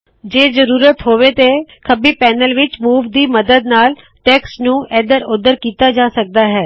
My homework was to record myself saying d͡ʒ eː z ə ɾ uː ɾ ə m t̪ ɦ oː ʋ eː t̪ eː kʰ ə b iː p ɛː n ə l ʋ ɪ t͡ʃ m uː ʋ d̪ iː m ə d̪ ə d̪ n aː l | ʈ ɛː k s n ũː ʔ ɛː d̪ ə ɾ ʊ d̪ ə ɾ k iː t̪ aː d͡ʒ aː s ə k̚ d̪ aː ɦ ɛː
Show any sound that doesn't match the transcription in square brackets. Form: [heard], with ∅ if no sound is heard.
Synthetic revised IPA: d͡ʒ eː z ə ɾ uː ɾ ə [∅] t̪ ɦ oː ʋ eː t̪ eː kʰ ə b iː p ɛː n ə l ʋ ɪ t͡ʃ m uː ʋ d̪ iː m ə d̪ ə d̪ n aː l | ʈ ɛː k s n ũː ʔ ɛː d̪ ə ɾ ʊ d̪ ə ɾ k iː t̪ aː d͡ʒ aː s ə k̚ d̪ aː ɦ ɛː